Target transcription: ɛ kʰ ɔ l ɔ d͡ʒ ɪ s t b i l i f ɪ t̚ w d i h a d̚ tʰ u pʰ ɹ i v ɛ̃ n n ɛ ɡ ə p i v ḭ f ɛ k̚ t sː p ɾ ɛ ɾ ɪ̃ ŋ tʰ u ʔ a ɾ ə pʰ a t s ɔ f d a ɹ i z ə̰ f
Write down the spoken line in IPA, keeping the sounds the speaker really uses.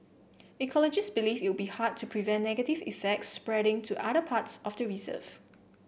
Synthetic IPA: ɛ kʰ ɔ l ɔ d͡ʒ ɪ s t b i l i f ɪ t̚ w b i h a d̚ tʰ u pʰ ɹ i v ɛ̃ n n ɛ ɡ ə t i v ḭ f ɛ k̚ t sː p ɹ ɛ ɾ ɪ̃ ŋ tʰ u ʔ a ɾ ə pʰ a t s ɔ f d ə ɹ i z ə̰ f